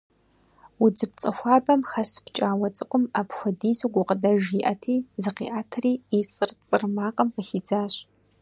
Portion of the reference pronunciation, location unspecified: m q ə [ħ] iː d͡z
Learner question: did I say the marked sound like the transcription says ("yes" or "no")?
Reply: no